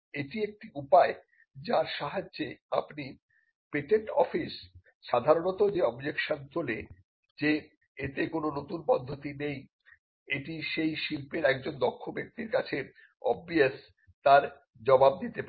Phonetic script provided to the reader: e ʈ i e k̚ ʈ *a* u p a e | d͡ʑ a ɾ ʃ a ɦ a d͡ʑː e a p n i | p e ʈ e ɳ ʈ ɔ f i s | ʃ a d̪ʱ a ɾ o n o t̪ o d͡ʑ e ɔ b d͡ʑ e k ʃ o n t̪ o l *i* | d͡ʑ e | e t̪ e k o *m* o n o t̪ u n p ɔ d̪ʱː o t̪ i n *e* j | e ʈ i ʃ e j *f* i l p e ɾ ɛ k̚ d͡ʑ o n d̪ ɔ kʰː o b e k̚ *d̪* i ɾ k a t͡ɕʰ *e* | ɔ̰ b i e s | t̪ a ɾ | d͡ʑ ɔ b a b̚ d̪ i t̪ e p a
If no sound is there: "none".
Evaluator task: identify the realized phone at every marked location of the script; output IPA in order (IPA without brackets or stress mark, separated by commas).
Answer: i, e, n, e, ʃ, t̪, e